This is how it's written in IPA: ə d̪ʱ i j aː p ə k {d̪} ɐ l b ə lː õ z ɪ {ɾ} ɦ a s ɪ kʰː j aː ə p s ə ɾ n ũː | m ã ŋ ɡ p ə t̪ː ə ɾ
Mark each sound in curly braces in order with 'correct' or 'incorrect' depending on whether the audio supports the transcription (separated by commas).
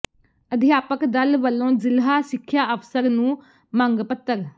correct, incorrect